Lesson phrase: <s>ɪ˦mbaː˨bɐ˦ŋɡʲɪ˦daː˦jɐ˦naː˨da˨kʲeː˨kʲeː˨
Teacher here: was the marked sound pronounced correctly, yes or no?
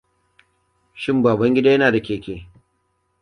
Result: no